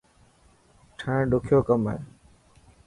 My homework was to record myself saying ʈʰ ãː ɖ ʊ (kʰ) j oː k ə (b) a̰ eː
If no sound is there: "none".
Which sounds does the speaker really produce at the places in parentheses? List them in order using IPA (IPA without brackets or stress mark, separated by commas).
kʰ, m